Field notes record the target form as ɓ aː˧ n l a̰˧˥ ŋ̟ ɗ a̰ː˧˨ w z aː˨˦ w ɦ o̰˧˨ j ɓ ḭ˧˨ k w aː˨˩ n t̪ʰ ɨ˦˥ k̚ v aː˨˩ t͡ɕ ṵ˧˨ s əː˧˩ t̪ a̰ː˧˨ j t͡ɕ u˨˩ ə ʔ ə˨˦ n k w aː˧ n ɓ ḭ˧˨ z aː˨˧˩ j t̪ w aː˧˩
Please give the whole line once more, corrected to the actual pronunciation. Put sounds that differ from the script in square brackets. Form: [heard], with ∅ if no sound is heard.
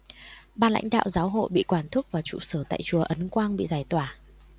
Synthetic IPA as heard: ɓ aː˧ n l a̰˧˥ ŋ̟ ɗ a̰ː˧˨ w z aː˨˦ w ɦ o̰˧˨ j ɓ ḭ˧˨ k w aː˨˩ n t̪ʰ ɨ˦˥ k̚ v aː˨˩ t͡ɕ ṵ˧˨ s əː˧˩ t̪ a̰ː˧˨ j t͡ɕ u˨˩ ə ʔ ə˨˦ n k w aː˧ n ɓ ḭ˧˨ z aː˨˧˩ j t̪ w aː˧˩